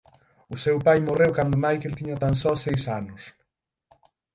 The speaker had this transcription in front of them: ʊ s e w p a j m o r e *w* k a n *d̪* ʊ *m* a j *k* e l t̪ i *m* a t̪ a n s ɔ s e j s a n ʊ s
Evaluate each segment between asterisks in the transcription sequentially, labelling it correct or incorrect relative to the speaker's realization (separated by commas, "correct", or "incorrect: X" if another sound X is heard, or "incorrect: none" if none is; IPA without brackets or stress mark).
correct, correct, correct, correct, incorrect: ɲ